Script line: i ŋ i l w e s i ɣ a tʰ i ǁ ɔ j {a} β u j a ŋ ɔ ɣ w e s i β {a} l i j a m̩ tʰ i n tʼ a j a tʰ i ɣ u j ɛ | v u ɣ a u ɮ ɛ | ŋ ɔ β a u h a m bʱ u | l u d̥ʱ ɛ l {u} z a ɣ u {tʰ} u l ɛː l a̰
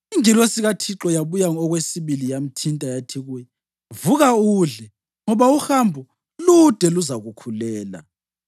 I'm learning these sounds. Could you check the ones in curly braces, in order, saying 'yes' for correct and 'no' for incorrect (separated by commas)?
yes, no, yes, no